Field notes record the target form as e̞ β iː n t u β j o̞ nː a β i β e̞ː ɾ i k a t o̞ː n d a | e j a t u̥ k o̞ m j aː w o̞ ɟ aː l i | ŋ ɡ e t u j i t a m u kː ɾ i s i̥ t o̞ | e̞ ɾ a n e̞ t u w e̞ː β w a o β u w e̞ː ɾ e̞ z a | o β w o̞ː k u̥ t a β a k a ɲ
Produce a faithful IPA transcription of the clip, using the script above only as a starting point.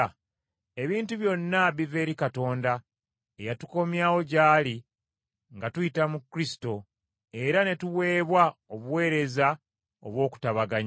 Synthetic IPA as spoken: e̞ β iː n t u β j o̞ nː a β i v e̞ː ɾ i k a t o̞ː n d a | e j a t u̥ k o̞ m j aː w o̞ ɟ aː l i | ŋ ɡ a t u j i t a m u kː ɾ i s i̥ t o̞ | e̞ ɾ a n e̞ t u w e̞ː β w a o β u w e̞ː ɾ e̞ z a | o β w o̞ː k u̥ t a β a ɡ a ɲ